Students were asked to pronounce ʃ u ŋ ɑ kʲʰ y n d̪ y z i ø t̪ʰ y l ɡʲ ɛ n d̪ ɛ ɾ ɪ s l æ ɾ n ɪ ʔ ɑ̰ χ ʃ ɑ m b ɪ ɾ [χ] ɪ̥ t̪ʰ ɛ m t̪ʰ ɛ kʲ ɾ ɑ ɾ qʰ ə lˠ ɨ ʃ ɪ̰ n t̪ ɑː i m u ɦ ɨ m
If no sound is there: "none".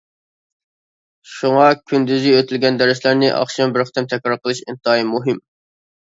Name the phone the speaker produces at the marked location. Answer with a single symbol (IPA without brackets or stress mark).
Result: χ